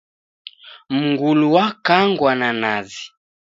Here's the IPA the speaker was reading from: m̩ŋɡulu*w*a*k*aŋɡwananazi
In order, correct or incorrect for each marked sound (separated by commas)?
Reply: correct, correct